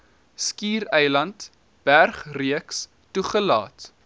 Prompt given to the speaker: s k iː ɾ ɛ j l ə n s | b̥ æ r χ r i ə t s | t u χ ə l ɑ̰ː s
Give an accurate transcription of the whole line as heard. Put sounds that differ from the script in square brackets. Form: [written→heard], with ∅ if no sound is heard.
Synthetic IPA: s k iː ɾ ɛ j l [ə→ɐ] n [s→t] | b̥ æ r χ r i ə [t→k] s | t u χ ə l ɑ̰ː [s→t]